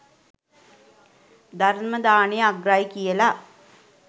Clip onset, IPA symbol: d̪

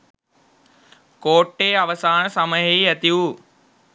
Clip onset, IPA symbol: k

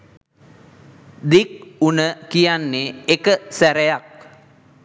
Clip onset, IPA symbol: d̪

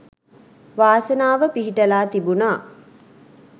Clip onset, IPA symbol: ʋ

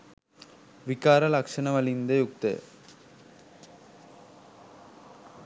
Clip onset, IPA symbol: ʋ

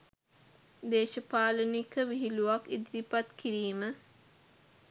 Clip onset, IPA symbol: d̪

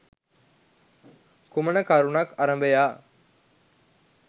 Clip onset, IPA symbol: k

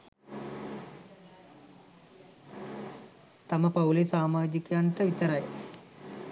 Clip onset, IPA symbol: t̪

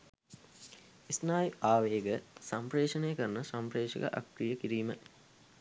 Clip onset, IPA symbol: i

